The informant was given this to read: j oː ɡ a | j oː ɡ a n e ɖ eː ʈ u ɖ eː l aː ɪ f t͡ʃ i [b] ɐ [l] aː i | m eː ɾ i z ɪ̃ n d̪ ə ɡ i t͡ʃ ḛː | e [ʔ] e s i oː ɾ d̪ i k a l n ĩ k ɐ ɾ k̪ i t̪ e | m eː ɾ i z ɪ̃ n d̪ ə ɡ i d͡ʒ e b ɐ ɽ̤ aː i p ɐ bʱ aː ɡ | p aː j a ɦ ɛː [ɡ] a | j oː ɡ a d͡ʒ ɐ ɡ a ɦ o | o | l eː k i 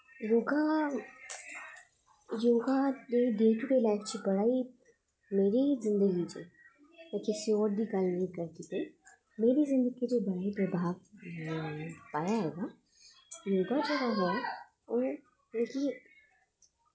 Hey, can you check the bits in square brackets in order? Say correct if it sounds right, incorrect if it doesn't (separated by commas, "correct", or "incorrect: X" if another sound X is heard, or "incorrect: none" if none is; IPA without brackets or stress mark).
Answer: correct, incorrect: ɽ, incorrect: k, correct